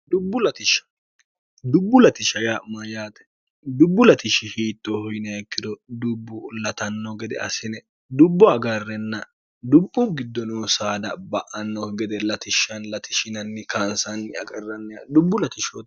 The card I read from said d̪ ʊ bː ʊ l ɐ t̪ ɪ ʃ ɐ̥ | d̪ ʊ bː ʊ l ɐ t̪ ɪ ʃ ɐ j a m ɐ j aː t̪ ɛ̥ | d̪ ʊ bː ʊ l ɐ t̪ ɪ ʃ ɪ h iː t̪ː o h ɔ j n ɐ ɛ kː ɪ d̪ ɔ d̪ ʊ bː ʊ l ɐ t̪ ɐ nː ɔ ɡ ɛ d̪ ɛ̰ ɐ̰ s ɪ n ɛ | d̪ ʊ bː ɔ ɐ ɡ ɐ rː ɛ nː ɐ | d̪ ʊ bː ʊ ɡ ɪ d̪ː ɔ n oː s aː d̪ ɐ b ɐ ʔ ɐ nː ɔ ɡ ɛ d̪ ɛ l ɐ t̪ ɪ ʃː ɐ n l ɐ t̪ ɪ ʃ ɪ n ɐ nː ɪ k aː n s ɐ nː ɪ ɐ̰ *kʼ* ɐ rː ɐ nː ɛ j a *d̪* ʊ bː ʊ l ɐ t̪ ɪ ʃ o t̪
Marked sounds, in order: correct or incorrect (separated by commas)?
correct, correct